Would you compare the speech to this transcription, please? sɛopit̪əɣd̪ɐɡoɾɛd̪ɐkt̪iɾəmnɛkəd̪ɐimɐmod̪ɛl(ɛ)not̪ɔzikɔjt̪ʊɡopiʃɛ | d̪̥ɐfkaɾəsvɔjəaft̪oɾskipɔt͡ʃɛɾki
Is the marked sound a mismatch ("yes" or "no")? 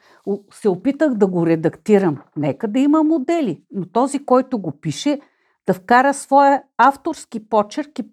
yes